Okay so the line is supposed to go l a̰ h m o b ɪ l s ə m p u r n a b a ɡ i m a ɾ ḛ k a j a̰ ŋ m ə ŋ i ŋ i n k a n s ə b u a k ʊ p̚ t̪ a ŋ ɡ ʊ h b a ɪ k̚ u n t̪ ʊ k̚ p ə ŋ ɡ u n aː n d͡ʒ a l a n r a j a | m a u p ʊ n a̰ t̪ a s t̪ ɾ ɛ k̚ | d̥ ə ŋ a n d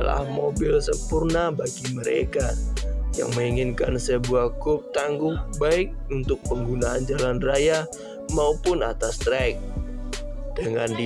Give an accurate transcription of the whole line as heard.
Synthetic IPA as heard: l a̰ h m o b ɪ l s ə m p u r n a b a ɡ i m ə ɾ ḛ k a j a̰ ŋ m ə ŋ i ŋ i n k a n s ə b u a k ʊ p̚ t̪ a ŋ ɡ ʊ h b a ɪ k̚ u n t̪ ʊ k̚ p ə ŋ ɡ u n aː n d͡ʒ a l a n r a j a | m a u p ʊ n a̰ t̪ a s t̪ ɾ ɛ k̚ | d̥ ə ŋ a n d